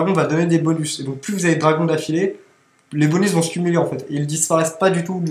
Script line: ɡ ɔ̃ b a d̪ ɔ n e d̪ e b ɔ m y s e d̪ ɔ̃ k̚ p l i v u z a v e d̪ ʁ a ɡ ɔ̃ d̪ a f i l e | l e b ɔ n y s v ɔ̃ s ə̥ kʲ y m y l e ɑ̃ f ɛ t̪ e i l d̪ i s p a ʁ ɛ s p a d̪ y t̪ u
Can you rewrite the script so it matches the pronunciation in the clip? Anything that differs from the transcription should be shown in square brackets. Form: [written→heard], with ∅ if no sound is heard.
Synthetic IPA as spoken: ɡ ɔ̃ [b→v] a d̪ ɔ n e d̪ e b ɔ [m→n] y s e d̪ ɔ̃ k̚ p l [i→y] v u z a v e d̪ ʁ a ɡ ɔ̃ d̪ a f i l e | l e b ɔ n y s v ɔ̃ s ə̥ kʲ y m y l e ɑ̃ f ɛ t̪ e i l d̪ i s p a ʁ ɛ s p a d̪ y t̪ u